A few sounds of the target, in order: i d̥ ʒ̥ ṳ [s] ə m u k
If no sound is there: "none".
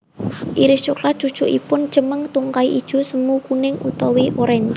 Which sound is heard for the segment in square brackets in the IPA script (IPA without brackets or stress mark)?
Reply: s